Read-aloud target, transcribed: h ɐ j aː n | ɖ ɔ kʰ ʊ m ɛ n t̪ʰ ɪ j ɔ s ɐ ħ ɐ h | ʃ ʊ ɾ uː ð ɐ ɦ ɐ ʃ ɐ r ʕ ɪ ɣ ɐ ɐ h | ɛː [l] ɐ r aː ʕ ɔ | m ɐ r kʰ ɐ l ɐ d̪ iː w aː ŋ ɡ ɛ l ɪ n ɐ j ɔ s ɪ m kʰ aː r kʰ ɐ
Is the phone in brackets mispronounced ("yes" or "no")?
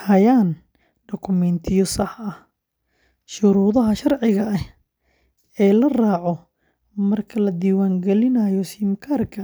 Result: no